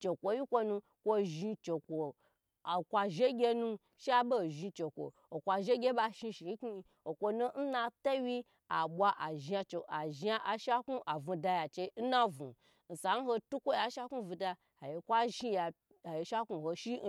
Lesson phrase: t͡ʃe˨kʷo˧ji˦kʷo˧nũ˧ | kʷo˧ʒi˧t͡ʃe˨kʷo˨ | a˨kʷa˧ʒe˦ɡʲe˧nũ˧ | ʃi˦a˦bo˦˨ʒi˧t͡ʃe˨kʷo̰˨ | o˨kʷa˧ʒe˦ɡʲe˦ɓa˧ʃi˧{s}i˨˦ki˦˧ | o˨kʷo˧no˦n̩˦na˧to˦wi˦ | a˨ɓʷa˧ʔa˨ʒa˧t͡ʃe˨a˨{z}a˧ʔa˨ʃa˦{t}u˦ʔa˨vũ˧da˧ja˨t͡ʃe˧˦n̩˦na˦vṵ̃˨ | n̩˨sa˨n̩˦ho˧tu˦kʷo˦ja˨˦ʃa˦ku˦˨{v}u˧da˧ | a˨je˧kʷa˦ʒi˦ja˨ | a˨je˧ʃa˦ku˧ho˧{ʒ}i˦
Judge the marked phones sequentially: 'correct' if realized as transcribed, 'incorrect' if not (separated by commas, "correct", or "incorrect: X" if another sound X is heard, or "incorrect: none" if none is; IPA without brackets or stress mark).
incorrect: ʃ, incorrect: ʒ, incorrect: k, correct, incorrect: ʃ